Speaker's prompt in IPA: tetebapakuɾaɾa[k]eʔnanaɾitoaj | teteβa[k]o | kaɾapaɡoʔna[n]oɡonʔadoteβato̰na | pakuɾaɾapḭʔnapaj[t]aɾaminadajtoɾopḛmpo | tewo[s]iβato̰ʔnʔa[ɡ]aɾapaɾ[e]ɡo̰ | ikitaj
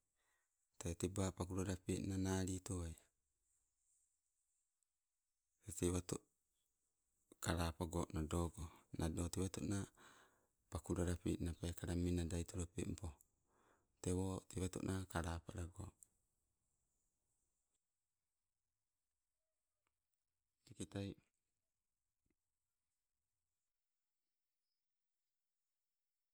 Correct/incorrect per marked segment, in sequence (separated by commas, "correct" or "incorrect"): incorrect, incorrect, incorrect, incorrect, incorrect, incorrect, incorrect